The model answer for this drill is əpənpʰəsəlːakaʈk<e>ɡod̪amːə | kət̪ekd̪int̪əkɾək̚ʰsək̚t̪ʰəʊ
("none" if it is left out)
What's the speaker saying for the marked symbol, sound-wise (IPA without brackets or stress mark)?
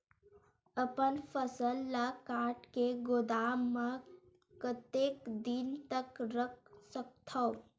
e